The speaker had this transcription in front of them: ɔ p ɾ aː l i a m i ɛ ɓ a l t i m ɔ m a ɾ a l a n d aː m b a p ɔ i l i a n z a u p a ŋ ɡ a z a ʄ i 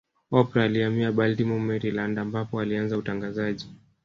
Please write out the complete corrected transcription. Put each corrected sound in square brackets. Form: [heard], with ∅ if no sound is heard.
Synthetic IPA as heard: ɔ p ɾ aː l i a m i [a] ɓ a l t i m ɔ m [ɛ] ɾ [i] l a n d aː m b a p ɔ [a] l i a n z a u [t] a ŋ ɡ a z a ʄ i